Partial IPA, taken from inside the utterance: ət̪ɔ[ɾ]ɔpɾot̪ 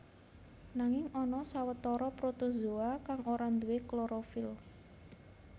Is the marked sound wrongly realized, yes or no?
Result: no